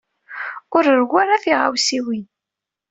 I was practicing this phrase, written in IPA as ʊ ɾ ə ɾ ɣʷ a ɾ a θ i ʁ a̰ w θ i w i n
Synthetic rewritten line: ʊ ɾ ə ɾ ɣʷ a ɾ a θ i ʁ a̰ w s i w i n